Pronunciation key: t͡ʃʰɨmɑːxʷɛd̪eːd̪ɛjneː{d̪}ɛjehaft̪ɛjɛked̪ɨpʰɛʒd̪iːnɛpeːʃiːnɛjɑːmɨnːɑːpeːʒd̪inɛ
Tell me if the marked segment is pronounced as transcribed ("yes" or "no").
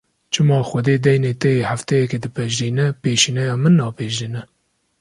no